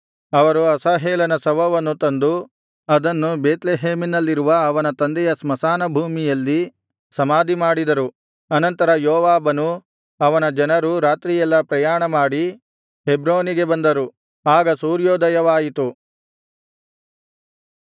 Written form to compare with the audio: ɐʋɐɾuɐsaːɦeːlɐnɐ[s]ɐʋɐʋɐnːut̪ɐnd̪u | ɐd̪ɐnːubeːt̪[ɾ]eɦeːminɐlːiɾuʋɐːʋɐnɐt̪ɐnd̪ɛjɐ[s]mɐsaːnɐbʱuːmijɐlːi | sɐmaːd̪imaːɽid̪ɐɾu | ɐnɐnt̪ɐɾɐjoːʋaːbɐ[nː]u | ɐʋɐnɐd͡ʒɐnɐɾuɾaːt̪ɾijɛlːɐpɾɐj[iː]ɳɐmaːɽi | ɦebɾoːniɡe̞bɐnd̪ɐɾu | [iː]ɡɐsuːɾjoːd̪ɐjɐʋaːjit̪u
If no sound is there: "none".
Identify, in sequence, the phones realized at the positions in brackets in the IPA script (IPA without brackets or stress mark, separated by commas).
s, l, s, n, aː, aː